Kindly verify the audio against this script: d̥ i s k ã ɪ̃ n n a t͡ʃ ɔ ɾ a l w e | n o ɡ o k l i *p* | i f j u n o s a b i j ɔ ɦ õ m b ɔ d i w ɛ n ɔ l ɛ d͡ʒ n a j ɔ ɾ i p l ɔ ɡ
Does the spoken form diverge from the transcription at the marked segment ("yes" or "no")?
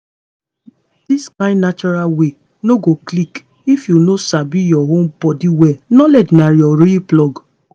yes